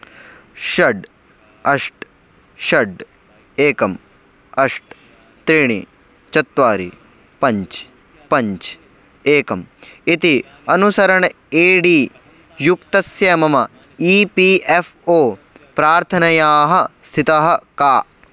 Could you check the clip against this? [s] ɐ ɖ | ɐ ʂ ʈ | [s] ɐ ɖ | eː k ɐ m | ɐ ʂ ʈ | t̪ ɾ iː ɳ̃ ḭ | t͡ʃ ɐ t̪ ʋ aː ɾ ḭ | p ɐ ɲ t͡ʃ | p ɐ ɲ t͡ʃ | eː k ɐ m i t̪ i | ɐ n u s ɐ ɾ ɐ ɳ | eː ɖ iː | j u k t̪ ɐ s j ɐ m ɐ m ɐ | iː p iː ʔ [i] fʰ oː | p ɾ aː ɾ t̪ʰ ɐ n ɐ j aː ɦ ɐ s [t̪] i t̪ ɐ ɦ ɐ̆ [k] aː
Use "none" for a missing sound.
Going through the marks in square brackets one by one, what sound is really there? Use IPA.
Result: ʃ, ʃ, e, t̪ʰ, k

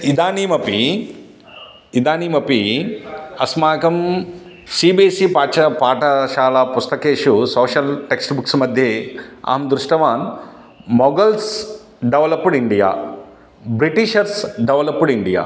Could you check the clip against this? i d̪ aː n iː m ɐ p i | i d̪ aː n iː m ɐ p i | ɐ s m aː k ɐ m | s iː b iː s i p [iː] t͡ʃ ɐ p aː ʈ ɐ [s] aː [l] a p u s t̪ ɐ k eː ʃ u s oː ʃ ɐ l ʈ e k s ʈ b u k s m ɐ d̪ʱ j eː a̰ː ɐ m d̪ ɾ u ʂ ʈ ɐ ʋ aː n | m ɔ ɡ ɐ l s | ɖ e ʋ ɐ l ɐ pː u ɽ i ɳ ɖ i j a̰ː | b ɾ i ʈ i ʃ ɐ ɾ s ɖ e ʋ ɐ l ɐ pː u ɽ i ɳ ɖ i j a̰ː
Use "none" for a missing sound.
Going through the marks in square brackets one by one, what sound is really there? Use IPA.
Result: aː, ʃ, l

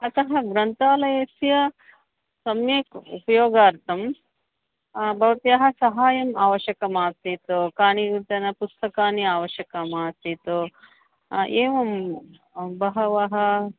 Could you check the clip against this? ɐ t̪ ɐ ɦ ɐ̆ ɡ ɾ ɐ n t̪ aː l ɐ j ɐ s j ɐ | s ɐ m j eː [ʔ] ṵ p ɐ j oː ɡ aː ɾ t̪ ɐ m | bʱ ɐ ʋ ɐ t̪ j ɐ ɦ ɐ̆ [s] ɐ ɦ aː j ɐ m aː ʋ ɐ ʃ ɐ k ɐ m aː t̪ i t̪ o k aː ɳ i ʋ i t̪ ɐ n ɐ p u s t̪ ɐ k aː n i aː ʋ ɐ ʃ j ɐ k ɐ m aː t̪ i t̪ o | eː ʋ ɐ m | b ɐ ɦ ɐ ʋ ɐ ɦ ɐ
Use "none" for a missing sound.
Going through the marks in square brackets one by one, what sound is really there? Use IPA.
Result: k, s

